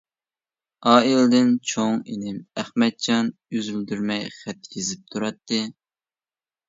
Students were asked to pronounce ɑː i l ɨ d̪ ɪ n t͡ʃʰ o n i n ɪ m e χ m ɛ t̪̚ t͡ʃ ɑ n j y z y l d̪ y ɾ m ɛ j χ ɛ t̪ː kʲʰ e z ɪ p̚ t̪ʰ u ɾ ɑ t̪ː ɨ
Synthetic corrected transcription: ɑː i l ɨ d̪ ɪ n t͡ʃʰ o ŋ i n ɪ m æ χ m ɛ t̪̚ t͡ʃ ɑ n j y z y l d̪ y ɾ m ɛ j χ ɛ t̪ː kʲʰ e z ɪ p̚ t̪ʰ u ɾ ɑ t̪ː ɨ

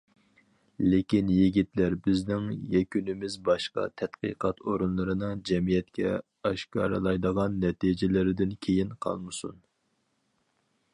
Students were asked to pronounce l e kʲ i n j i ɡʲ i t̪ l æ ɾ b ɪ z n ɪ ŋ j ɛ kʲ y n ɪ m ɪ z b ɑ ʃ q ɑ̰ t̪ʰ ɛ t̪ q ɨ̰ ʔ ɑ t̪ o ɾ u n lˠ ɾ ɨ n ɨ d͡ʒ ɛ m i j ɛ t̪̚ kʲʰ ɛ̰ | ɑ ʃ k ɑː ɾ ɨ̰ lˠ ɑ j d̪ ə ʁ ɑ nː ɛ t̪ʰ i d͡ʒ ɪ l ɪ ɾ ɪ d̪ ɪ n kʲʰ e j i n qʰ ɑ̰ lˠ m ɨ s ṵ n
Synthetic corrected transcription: l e kʲ i n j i ɡʲ i t̪ l æ ɾ b ɪ z n ɪ ŋ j ɛ kʲ y n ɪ m ɪ z b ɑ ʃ q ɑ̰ t̪ʰ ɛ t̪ q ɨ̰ q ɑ t̪ o ɾ u n lˠ ɾ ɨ n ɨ d͡ʒ ɛ m i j ɛ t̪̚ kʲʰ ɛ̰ | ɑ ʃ k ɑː ɾ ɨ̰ lˠ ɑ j d̪ ə ʁ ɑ nː ɛ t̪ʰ i d͡ʒ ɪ l ɪ ɾ ɪ d̪ ɪ n kʲʰ e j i n qʰ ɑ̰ lˠ m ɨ s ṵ n

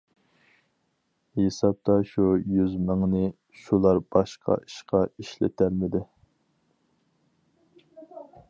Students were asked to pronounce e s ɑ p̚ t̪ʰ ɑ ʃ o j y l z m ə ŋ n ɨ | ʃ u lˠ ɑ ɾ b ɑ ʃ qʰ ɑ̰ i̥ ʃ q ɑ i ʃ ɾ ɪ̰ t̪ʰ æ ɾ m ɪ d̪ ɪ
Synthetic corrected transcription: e s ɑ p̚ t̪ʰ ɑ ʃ u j y z m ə ŋ n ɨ | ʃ u lˠ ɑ ɾ b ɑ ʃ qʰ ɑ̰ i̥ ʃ q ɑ i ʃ l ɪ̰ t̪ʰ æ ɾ m ɪ d̪ ɪ

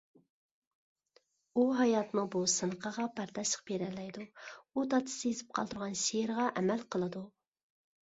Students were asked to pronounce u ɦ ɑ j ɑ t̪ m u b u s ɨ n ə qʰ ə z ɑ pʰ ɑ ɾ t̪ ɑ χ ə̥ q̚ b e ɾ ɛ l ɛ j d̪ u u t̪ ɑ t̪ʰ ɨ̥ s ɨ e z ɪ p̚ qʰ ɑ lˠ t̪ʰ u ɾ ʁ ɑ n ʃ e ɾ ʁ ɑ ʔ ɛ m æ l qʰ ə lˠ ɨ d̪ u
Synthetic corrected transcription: u ɦ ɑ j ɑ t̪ m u b u s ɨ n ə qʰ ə ʁ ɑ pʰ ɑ ɾ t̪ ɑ ʃ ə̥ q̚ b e ɾ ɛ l ɛ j d̪ u u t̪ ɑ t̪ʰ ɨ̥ s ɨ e z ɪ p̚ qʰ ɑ lˠ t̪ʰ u ɾ ʁ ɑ n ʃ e ɾ ʁ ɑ ʔ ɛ m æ l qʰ ə lˠ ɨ d̪ u

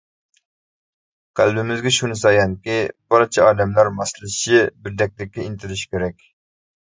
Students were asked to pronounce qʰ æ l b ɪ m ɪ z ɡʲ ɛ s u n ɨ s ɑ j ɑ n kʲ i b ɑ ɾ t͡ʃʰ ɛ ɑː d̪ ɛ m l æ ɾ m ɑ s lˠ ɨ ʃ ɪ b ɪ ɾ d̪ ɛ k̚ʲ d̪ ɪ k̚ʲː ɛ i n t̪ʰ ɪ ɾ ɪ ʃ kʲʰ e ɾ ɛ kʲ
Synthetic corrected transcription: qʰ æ l b ɪ m ɪ z ɡʲ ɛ ʃ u n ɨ s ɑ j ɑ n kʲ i b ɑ ɾ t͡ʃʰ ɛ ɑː d̪ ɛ m l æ ɾ m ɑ s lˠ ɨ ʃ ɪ b ɪ ɾ d̪ ɛ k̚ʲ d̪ ɪ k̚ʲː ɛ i n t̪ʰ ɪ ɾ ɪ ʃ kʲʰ e ɾ ɛ kʲ

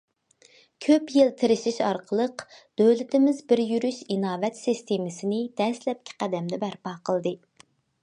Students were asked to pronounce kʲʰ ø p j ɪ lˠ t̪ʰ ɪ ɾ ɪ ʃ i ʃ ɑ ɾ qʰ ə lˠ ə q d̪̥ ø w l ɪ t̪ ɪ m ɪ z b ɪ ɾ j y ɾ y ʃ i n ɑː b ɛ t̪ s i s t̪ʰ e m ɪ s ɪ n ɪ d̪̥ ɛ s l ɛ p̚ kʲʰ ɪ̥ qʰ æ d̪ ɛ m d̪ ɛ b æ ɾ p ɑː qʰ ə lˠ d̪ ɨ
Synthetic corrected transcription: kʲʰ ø p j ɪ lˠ t̪ʰ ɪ ɾ ɪ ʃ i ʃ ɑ ɾ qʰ ə lˠ ə q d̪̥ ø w l ɪ t̪ ɪ m ɪ z b ɪ ɾ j y ɾ y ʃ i n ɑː v ɛ t̪ s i s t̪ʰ e m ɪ s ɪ n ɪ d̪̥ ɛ s l ɛ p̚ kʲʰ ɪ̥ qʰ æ d̪ ɛ m d̪ ɛ b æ ɾ p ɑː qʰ ə lˠ d̪ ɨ

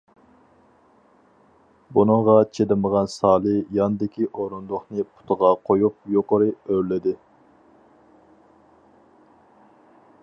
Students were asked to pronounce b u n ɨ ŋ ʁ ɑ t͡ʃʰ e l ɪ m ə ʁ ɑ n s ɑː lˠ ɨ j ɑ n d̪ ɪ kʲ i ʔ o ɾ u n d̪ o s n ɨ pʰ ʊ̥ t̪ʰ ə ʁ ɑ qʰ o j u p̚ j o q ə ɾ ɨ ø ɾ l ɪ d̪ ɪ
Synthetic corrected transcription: b u n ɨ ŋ ʁ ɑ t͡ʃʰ e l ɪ m ə ʁ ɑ n s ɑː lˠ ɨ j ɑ n d̪ ɪ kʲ i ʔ o ɾ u n d̪ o χ n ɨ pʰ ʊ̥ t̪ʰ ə ʁ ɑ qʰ o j u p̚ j o q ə ɾ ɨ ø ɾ l ɪ d̪ ɪ

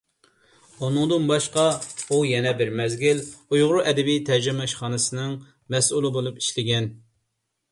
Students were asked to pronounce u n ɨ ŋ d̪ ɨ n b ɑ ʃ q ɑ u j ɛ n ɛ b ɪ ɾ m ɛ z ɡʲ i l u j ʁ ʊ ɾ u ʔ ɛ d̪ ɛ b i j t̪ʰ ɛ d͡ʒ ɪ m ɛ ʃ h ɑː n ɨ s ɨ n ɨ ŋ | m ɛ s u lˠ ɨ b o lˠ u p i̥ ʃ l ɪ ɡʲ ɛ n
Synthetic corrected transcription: u n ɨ ŋ d̪ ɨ n b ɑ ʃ q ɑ u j ɛ n ɛ b ɪ ɾ m ɛ z ɡʲ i l u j ʁ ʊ ɾ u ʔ ɛ d̪ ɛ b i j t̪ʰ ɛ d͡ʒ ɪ m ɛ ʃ χ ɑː n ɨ s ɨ n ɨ ŋ | m ɛ s u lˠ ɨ b o lˠ u p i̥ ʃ l ɪ ɡʲ ɛ n

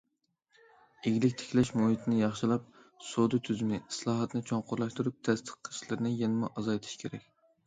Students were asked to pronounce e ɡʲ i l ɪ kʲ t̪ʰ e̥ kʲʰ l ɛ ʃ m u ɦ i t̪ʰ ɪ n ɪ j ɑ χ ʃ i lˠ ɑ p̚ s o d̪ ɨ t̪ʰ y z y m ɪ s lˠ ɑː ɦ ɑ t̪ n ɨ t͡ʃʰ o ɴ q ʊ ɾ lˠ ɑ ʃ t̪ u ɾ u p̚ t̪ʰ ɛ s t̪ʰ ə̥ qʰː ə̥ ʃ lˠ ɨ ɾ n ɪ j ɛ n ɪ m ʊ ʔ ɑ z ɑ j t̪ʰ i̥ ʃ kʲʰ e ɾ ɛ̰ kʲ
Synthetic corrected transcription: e ɡʲ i l ɪ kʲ t̪ʰ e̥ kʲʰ l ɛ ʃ m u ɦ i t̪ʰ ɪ n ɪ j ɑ χ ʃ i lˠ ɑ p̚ s o d̪ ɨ t̪ʰ y z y m ɪ s lˠ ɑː ɦ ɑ t̪ n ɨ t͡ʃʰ o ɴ q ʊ ɾ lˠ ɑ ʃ t̪ u ɾ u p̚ t̪ʰ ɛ s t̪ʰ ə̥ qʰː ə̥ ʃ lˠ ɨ ɾ n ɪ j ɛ n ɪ m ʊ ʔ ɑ z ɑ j t̪ʰ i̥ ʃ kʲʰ e ɾ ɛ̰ kʲ

